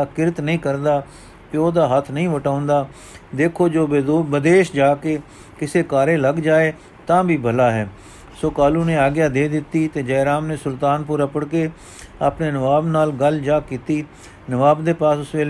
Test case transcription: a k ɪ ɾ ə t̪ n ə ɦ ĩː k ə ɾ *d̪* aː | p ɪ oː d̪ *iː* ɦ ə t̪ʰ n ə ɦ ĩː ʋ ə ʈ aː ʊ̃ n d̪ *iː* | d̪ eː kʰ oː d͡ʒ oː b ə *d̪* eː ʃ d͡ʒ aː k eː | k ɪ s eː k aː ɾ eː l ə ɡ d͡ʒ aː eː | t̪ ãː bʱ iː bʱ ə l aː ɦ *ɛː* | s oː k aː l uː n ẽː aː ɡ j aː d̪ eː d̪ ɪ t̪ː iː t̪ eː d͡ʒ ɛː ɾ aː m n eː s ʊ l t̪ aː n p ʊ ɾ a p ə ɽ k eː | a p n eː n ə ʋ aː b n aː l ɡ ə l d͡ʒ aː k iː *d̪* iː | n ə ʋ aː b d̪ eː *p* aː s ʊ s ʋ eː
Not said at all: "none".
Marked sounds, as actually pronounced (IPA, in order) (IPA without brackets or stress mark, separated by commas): d̪, aː, aː, d̪, ɛː, t̪, p